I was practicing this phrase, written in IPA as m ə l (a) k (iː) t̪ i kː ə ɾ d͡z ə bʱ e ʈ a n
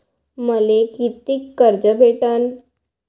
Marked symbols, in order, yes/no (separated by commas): no, no